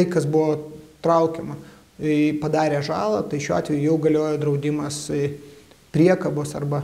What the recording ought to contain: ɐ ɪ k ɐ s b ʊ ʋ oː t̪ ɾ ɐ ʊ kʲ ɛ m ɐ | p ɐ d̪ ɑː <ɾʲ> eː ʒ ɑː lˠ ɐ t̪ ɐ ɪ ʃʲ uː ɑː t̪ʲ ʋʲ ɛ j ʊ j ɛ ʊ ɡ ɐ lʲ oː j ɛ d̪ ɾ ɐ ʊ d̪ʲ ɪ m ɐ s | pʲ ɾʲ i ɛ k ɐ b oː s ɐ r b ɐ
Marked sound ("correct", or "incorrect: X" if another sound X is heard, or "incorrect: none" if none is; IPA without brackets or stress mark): correct